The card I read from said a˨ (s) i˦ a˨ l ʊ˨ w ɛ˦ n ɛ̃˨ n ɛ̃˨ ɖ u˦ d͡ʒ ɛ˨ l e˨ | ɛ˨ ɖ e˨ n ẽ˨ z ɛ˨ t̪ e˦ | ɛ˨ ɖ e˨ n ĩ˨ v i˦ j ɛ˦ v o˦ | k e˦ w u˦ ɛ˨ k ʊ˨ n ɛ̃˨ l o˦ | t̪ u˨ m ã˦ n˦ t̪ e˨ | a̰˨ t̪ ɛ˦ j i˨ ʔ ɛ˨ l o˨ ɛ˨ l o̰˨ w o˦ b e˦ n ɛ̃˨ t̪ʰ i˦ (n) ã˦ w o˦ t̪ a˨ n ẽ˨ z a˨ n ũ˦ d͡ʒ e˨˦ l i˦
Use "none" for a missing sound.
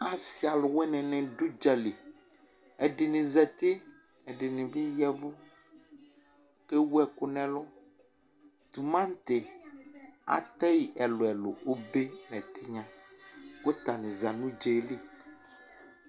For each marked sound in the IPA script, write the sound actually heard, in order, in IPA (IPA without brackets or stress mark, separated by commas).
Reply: s, ɲ